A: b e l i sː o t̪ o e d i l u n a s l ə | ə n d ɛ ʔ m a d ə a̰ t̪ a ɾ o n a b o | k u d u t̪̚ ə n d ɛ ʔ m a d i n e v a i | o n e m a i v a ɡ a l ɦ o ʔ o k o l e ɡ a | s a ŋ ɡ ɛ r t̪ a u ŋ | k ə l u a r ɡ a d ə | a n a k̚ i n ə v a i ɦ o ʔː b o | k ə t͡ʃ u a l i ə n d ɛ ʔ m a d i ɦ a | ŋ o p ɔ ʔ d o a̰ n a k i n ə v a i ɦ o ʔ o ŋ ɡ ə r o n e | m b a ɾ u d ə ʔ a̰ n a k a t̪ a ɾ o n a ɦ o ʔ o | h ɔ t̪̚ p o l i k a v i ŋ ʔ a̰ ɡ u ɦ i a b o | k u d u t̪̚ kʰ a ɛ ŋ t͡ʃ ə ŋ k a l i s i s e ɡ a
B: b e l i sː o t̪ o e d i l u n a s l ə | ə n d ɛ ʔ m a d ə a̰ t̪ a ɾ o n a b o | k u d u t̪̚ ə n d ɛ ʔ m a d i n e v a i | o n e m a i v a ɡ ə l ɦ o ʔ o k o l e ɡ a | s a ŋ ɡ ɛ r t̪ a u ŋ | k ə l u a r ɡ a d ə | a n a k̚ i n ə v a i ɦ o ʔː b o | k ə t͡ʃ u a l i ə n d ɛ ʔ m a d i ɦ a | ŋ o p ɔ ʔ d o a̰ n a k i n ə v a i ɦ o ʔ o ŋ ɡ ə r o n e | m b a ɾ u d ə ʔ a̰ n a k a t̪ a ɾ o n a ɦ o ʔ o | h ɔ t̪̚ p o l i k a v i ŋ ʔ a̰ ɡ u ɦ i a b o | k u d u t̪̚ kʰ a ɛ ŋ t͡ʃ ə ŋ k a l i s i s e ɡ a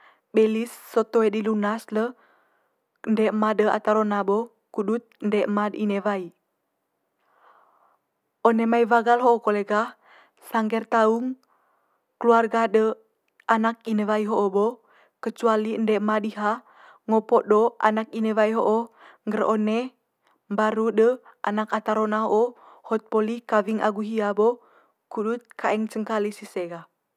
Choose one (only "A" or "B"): A